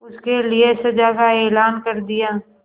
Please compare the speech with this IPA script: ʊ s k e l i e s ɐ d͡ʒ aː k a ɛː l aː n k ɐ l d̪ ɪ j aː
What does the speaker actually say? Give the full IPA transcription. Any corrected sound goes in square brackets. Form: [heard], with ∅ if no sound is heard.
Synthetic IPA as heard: ʊ s k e l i e s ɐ d͡ʒ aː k a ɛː l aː n k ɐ [ɾ] d̪ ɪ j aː